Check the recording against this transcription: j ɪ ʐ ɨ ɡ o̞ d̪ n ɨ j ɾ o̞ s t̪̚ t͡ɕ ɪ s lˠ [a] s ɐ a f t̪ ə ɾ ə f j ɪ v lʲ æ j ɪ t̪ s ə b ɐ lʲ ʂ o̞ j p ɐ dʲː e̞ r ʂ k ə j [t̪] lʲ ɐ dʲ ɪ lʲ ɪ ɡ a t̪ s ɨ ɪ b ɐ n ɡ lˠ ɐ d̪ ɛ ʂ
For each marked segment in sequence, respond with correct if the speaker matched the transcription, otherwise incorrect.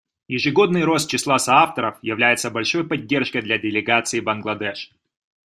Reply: correct, incorrect

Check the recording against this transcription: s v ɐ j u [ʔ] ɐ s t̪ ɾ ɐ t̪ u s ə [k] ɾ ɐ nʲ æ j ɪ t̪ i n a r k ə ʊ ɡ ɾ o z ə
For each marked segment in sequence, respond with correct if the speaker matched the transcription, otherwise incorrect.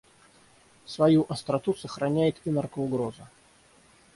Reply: correct, incorrect

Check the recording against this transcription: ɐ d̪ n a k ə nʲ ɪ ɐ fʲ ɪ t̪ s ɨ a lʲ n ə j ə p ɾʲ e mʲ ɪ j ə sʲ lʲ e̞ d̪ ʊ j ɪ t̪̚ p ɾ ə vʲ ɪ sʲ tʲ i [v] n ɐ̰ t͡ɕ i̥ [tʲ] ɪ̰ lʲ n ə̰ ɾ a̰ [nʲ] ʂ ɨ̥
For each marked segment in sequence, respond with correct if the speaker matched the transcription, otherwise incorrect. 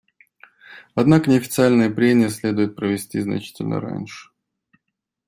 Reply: incorrect, correct, correct

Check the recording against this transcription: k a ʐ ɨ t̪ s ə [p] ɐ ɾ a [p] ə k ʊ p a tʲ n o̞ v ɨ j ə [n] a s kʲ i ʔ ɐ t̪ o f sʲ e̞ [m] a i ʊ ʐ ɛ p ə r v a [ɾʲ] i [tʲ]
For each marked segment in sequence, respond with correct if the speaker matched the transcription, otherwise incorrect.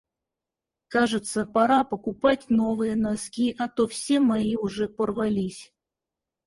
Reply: correct, correct, correct, correct, incorrect, incorrect

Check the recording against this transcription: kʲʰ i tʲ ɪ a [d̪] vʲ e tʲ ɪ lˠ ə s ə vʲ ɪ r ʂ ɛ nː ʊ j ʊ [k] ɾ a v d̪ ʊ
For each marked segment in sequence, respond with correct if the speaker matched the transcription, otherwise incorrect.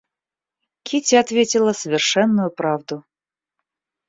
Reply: incorrect, incorrect

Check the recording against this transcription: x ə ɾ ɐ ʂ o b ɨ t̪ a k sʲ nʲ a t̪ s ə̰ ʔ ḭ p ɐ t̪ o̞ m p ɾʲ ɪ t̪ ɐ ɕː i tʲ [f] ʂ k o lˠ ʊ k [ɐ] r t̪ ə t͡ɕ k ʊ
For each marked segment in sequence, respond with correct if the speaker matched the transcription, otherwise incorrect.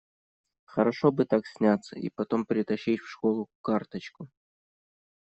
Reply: correct, incorrect

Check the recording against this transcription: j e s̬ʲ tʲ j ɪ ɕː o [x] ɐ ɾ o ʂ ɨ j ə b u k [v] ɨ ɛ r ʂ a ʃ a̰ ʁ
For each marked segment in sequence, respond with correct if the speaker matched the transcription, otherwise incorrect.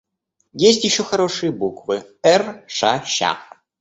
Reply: correct, correct

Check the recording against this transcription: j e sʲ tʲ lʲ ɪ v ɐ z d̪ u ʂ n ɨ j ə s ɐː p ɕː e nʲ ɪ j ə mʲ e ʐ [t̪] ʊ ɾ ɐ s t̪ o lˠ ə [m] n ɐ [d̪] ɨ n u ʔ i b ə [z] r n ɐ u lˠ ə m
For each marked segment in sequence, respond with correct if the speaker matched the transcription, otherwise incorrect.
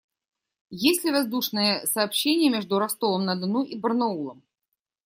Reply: incorrect, correct, correct, incorrect

